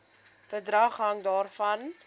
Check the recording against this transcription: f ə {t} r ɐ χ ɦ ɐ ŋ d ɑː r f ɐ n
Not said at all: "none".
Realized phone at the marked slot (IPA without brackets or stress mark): d